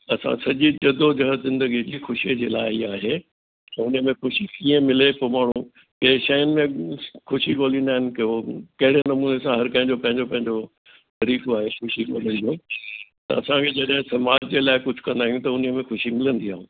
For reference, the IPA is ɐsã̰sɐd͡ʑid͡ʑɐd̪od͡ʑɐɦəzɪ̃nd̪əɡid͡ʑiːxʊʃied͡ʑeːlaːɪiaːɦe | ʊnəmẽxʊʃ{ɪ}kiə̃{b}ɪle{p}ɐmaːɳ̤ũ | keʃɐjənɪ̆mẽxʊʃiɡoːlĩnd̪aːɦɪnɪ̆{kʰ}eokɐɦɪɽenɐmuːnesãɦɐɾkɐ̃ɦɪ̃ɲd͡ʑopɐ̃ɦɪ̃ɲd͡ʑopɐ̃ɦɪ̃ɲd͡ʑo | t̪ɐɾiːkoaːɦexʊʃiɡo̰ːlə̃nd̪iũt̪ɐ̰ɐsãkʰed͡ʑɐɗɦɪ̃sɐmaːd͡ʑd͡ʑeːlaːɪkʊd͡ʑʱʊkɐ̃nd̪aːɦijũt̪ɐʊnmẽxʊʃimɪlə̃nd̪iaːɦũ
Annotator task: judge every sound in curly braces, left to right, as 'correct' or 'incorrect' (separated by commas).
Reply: incorrect, incorrect, correct, incorrect